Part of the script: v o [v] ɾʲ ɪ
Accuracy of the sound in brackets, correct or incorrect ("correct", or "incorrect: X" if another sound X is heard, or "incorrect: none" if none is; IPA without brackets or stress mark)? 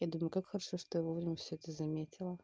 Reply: correct